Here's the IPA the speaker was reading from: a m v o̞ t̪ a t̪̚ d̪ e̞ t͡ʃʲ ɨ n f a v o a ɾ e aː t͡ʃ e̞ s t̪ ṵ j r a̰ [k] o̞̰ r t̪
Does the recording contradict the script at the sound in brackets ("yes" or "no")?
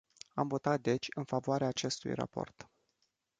yes